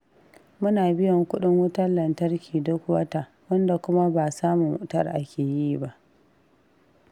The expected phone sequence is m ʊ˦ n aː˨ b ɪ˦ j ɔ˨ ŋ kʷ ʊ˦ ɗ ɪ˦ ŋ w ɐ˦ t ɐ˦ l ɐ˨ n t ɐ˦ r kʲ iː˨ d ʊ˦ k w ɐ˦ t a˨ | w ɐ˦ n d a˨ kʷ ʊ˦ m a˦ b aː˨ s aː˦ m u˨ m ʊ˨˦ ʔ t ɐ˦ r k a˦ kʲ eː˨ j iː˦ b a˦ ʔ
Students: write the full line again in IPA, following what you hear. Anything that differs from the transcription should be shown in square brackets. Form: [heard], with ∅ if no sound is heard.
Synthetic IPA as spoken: m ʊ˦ n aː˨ b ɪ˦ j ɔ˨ ŋ kʷ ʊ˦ ɗ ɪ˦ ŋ w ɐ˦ t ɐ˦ l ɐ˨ n t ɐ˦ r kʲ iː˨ d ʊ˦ k w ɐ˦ t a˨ | w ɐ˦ n d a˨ kʷ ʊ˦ m a˦ b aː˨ s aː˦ m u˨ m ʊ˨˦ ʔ t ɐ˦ r [ʔ] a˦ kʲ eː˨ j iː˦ b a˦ ʔ